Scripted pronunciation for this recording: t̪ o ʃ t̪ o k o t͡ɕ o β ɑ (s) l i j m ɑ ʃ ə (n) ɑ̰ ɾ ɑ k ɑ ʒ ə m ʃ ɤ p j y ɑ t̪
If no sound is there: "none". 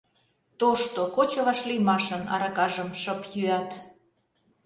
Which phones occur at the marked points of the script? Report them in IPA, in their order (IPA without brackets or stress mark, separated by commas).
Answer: ʃ, n